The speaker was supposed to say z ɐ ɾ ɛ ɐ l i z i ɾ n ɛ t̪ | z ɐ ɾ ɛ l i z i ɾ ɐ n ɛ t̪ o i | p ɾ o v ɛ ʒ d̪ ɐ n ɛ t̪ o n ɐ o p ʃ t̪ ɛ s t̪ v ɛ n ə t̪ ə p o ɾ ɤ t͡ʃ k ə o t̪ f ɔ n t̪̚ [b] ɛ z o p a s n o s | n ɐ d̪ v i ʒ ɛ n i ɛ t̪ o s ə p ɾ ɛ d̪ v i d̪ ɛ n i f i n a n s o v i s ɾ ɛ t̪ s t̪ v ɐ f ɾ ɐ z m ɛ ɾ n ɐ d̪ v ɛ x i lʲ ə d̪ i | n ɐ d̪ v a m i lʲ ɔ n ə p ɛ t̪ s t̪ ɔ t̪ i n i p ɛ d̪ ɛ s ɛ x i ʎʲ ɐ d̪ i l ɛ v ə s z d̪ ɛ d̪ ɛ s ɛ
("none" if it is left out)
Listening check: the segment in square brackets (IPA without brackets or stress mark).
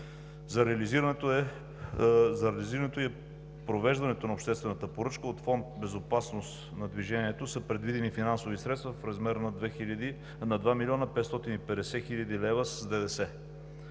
b